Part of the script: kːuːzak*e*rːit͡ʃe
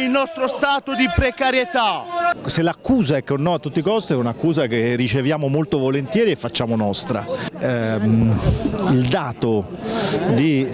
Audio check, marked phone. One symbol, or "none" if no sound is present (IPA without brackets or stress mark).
e